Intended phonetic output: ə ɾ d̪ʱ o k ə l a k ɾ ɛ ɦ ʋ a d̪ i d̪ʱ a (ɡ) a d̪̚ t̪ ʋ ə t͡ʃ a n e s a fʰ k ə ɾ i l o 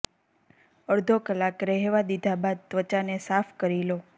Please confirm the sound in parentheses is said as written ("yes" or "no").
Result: no